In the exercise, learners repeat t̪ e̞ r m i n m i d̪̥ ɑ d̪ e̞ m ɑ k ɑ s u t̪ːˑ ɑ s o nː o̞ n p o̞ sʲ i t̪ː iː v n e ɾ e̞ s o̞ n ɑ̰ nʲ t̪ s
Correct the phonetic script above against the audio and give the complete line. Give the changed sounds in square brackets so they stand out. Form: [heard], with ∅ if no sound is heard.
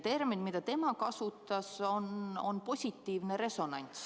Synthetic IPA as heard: t̪ e̞ r m i n m i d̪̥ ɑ [t̪] e̞ m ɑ k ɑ s u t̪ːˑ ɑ s o [n] o̞ n p o̞ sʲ i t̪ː iː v n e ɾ e̞ s o̞ n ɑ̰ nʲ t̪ s